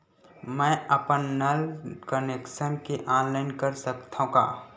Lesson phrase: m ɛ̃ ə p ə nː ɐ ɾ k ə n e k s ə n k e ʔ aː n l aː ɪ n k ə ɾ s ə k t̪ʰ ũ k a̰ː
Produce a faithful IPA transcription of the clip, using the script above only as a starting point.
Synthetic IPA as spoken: m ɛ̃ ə p ə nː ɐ l k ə n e k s ə n k e ʔ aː n l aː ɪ n k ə ɾ s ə k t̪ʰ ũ k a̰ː